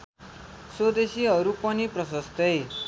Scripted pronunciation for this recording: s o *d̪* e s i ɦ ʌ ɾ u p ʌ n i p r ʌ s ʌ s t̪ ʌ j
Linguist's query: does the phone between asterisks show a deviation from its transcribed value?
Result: no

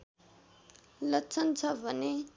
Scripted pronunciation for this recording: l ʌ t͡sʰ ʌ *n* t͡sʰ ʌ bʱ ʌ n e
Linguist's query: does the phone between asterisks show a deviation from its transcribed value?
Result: no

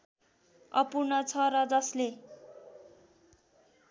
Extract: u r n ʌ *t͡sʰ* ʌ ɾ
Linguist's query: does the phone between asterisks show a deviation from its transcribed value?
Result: no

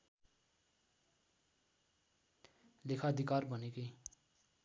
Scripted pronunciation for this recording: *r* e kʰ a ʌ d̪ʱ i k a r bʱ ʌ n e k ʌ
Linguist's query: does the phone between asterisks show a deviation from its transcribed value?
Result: yes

